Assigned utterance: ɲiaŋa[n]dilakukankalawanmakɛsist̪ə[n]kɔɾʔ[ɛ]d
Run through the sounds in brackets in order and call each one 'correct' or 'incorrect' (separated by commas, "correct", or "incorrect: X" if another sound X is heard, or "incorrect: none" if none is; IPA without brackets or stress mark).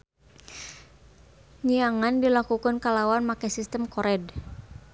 correct, incorrect: m, correct